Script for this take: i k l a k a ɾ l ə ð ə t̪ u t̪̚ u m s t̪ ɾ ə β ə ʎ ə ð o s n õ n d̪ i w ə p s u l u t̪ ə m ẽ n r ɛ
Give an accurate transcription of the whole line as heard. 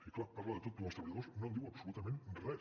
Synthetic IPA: i k l a p a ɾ l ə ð ə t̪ o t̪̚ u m s t̪ ɾ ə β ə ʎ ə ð o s n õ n d̪ i w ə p s u l u t̪ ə m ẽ n r ɛ